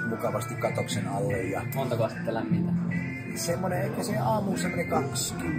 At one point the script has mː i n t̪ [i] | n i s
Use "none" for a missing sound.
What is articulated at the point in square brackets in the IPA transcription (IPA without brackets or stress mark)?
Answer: æ